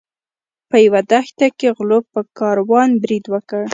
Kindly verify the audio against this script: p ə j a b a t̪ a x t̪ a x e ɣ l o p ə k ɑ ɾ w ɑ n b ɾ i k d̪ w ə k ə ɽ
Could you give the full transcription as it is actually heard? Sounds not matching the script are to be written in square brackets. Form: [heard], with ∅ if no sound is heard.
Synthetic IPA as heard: p ə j a [w] a [d̪] a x t̪ a [k] e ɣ l o p ə k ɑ ɾ w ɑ n b ɾ i [∅] d̪ w ə k ə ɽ